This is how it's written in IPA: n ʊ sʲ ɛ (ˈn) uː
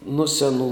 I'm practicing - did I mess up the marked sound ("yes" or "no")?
no